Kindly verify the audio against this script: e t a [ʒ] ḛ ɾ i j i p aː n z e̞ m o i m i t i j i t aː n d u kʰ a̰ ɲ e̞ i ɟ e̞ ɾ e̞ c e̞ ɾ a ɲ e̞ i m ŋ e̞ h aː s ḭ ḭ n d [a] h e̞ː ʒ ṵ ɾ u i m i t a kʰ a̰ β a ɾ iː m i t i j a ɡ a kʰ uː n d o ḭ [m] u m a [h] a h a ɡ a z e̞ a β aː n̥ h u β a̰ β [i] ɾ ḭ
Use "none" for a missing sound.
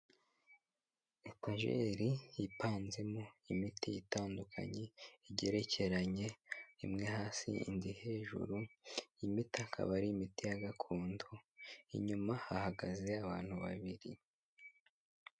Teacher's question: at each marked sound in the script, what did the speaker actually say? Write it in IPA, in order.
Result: ʒ, i, ɲ, h, i

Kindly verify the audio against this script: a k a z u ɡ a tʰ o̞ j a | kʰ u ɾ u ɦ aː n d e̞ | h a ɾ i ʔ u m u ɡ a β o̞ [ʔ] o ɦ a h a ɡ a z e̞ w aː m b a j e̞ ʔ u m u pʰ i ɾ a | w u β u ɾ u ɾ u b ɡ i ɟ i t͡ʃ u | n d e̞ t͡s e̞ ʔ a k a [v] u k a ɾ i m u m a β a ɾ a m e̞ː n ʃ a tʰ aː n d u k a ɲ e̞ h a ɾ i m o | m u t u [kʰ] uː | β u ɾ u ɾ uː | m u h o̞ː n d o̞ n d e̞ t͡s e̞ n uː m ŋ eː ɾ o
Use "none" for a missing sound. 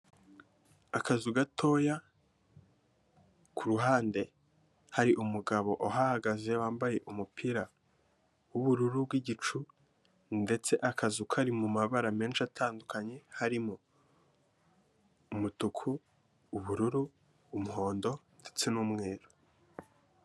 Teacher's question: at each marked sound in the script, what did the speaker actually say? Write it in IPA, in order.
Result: ʔ, z, kʰ

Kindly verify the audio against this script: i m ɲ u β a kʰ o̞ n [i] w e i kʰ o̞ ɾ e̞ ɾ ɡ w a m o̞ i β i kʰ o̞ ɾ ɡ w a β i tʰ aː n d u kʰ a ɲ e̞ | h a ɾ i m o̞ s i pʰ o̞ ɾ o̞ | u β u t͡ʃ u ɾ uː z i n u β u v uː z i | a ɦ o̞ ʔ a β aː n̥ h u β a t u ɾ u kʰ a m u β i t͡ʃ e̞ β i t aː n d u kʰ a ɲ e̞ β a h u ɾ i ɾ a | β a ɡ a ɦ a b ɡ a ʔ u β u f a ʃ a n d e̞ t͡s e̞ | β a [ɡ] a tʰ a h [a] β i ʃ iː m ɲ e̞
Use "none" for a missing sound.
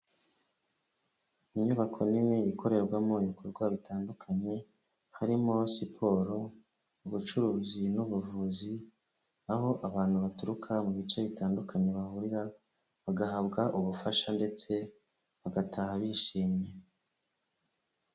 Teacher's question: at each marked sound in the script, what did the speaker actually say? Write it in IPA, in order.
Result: i, ɡ, a

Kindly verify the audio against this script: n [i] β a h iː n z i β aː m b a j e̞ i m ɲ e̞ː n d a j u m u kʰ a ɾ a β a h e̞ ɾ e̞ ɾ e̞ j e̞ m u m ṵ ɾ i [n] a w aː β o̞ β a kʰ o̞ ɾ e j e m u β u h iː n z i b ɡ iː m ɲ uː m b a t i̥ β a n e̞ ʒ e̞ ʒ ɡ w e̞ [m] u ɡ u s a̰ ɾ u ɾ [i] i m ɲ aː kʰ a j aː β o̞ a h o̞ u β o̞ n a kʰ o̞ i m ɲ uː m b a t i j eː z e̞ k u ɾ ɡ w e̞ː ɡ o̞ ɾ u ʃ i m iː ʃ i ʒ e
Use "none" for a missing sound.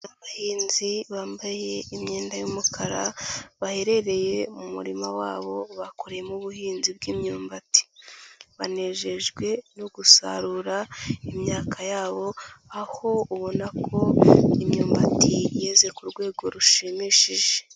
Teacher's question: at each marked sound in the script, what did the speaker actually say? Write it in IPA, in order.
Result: a, m, n, a

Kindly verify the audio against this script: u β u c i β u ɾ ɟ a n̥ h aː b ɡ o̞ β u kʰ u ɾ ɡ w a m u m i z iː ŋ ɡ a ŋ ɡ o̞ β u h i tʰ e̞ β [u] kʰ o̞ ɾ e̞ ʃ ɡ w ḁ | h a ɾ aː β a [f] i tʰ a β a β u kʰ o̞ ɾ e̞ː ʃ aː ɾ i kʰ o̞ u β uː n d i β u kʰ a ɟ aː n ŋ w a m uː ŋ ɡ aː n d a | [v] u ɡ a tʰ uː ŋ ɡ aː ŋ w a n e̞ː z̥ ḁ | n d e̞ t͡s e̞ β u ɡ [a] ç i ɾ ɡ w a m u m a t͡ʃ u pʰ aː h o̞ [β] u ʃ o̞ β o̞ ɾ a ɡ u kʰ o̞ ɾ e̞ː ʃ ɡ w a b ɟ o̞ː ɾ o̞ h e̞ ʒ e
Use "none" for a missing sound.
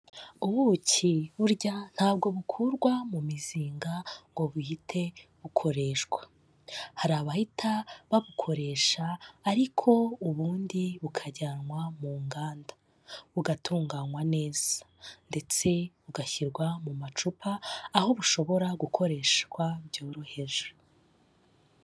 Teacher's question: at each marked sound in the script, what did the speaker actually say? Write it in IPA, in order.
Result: u, h, β, a, β

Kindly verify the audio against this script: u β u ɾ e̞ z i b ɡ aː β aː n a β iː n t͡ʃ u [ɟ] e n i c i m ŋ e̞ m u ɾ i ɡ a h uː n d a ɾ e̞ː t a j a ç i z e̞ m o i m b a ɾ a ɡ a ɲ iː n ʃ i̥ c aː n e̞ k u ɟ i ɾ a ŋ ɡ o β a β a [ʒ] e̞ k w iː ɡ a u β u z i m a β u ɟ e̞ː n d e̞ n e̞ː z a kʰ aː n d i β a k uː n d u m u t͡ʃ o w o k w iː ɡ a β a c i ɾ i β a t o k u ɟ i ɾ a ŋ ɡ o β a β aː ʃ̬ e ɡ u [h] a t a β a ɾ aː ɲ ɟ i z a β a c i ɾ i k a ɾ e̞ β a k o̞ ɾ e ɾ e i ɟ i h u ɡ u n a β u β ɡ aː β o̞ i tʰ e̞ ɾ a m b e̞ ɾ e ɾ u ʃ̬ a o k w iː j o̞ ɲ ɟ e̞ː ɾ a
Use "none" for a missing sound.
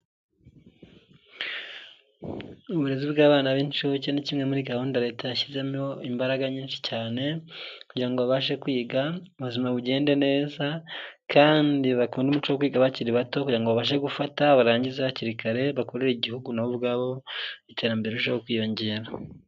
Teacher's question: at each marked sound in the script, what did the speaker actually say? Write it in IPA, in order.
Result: c, ʃ, f

